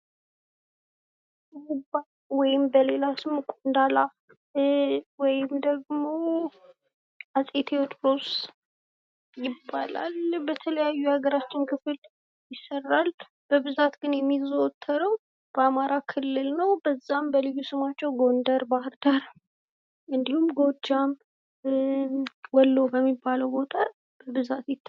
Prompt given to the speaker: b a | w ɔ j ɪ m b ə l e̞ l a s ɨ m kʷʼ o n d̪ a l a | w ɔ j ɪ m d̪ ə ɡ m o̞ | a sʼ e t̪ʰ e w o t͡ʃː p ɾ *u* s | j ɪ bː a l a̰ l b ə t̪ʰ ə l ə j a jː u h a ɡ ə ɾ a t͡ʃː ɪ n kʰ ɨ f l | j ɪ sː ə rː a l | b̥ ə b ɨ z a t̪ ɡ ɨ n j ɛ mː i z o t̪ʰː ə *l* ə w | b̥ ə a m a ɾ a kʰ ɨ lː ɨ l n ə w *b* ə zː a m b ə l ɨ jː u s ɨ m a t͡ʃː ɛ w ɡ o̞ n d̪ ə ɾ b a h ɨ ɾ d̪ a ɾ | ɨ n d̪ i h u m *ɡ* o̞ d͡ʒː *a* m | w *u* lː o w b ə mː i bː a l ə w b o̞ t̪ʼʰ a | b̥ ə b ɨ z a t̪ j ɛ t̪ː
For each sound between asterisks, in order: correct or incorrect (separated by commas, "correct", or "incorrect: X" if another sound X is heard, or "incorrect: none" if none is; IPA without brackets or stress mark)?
incorrect: o, incorrect: ɾ, correct, correct, correct, incorrect: ɔ